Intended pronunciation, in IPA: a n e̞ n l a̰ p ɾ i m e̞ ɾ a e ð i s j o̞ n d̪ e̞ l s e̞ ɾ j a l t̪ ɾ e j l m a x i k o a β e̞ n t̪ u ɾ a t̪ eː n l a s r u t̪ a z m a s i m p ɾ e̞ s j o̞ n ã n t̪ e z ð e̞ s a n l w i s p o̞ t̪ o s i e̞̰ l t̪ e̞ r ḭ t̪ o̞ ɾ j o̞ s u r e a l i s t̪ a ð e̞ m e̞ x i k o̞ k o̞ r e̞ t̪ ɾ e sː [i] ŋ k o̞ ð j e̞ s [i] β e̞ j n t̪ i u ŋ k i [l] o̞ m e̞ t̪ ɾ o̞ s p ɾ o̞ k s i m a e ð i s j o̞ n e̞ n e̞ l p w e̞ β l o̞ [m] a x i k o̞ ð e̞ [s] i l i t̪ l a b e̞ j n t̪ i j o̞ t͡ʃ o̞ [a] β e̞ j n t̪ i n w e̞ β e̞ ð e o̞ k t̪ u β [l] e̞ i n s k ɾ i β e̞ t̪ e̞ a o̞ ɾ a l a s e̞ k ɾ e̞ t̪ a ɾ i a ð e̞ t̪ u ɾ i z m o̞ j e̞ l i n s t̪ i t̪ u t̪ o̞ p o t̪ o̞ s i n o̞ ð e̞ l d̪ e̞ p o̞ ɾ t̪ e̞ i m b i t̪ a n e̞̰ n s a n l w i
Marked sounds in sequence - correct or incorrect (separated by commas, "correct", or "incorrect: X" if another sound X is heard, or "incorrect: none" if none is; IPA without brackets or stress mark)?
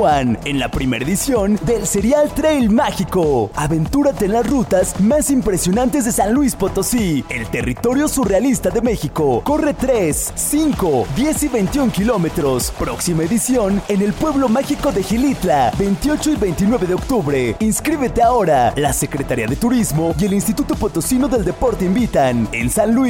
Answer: correct, correct, correct, correct, incorrect: x, incorrect: i, incorrect: ɾ